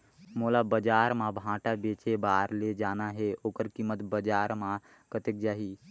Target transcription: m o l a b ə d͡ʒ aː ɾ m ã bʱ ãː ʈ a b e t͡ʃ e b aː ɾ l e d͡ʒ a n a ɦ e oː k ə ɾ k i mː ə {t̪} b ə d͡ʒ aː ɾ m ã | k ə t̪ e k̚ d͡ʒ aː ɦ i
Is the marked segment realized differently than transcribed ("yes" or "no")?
no